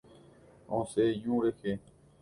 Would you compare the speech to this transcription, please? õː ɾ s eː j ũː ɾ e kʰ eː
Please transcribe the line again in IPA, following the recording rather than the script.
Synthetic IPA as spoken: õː s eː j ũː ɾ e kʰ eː